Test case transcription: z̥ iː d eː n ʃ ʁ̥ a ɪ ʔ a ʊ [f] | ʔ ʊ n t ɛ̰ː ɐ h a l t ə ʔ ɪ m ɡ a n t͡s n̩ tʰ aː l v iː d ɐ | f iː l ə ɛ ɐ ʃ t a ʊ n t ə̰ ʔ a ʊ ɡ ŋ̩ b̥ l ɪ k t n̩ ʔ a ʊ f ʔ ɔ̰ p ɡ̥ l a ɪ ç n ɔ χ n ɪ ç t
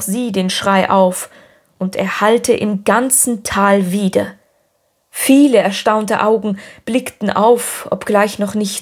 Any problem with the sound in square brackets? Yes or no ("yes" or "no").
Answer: no